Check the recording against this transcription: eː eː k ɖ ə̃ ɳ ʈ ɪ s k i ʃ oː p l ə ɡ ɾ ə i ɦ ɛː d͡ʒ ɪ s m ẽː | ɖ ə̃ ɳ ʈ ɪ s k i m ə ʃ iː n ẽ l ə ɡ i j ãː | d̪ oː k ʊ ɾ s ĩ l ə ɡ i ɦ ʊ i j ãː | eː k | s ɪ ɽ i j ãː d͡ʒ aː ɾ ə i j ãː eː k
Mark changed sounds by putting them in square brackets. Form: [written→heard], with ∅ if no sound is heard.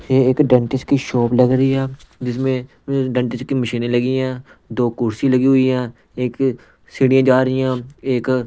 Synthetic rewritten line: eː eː k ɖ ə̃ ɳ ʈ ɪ s k i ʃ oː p l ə ɡ ɾ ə i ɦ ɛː d͡ʒ ɪ s m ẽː | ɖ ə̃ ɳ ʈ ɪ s k i m ə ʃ iː n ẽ l ə ɡ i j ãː | d̪ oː k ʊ ɾ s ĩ l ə ɡ i ɦ ʊ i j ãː | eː k | s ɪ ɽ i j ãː d͡ʒ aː ɾ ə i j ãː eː k